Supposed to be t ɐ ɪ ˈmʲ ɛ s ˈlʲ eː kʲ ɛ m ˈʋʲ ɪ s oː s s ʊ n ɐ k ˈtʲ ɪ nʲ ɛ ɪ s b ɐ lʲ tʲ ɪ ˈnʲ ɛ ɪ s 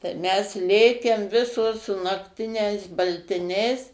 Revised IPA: t ɐ ɪ ˈmʲ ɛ s ˈlʲ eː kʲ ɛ m ˈʋʲ ɪ s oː s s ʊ n ɐ k ˈtʲ ɪ nʲ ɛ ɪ s b ɐ lʲ tʲ ɪ ˈnʲ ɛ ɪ s

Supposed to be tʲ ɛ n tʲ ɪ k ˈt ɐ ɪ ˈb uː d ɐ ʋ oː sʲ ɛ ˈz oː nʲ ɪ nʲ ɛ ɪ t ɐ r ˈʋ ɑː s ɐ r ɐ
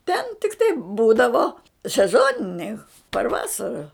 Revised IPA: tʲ ɛ n tʲ ɪ k ˈt ɐ ɪ ˈb uː d ɐ ʋ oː sʲ ɛ ˈz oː nʲ ɪ nʲ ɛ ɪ p ɐ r ˈʋ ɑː s ɐ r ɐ

